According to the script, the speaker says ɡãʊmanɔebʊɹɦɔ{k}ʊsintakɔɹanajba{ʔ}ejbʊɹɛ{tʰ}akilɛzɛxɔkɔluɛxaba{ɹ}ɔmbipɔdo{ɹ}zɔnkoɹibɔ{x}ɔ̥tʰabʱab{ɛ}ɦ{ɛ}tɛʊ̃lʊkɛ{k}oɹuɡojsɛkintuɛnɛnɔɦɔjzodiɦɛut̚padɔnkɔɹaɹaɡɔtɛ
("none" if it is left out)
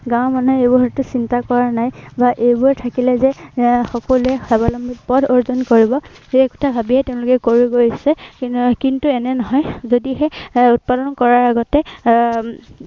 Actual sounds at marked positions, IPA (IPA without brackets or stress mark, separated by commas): t, ʔ, tʰ, l, ɹ, k, i, ɛ, k